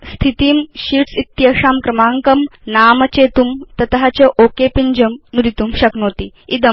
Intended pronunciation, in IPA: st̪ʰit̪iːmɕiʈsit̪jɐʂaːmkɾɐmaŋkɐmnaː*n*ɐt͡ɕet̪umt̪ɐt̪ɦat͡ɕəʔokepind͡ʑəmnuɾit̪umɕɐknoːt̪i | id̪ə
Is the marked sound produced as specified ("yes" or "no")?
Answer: no